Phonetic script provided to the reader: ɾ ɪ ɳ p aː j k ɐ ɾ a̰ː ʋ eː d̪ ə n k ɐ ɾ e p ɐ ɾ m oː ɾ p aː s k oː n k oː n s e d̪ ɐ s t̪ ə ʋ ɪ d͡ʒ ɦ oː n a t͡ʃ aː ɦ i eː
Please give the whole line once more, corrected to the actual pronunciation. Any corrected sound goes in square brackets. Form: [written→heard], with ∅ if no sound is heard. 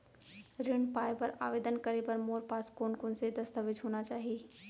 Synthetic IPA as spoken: ɾ ɪ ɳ p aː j [k→p] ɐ ɾ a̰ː ʋ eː d̪ ə n k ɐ ɾ e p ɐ ɾ m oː ɾ p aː s k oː n k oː n s e d̪ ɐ s t̪ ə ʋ ɪ d͡ʒ ɦ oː n a t͡ʃ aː ɦ i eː

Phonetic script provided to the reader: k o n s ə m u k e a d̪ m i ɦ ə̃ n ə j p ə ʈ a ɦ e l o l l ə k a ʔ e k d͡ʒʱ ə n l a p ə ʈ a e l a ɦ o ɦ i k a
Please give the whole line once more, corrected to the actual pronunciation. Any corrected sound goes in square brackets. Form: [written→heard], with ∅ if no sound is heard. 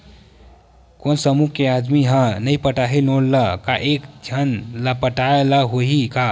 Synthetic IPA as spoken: k o n s ə m u k e a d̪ m i ɦ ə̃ n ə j p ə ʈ a ɦ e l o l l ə k a ʔ e k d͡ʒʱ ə n l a p ə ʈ a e l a ɦ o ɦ i k a

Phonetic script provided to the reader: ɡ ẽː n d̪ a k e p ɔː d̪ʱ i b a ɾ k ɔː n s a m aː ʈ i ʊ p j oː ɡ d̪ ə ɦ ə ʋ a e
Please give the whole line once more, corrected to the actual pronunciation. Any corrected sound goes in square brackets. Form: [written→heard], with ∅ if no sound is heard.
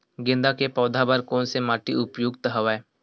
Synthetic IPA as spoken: ɡ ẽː n d̪ a k e p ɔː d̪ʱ [i→a] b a ɾ k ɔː n s [a→e] m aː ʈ i ʊ p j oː ɡ [d̪→t̪] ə ɦ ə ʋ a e

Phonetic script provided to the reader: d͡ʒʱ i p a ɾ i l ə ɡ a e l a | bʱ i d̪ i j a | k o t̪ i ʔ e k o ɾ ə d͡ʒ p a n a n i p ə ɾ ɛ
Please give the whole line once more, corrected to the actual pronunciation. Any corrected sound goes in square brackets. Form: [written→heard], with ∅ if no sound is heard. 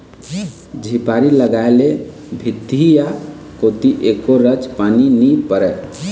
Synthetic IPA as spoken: d͡ʒʱ i p a ɾ i l ə ɡ a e l [a→e] | bʱ i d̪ i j a | k o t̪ i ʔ e k o ɾ ə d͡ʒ p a n [a→i] n i p ə ɾ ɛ

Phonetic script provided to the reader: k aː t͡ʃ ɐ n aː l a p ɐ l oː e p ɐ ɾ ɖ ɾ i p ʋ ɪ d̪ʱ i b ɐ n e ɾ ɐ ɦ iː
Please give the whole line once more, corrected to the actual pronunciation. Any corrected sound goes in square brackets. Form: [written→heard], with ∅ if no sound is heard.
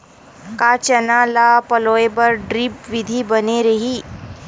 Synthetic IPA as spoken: k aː t͡ʃ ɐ n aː l a p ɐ l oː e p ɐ ɾ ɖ ɾ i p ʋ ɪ d̪ʱ i b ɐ n e ɾ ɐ ɦ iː

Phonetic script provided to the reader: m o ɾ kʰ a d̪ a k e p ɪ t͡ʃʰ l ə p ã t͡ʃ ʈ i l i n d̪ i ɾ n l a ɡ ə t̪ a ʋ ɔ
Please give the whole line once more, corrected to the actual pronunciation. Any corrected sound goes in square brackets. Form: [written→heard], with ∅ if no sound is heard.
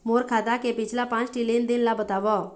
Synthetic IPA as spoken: m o ɾ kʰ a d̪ a k e p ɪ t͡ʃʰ l [ə→a] p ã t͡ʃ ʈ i l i n d̪ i [ɾ→∅] n l a [ɡ→b] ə t̪ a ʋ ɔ

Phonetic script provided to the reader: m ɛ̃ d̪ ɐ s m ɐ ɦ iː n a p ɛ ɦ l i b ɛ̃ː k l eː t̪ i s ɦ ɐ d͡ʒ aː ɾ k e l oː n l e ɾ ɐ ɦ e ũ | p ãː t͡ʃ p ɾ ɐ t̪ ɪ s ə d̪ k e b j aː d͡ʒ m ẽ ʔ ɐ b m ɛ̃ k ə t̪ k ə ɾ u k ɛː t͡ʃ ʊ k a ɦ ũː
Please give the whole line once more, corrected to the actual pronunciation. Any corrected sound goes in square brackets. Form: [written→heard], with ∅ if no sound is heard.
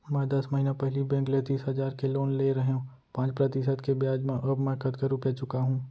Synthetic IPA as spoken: m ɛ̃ d̪ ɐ s m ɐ ɦ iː n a p ɛ ɦ l i b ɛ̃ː k l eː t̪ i s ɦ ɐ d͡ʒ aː ɾ k e l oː n l e ɾ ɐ ɦ e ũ | p ãː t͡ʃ p ɾ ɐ t̪ ɪ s ə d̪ k e b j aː d͡ʒ m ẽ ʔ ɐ b m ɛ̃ k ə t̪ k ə ɾ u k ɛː t͡ʃ ʊ k a ɦ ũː

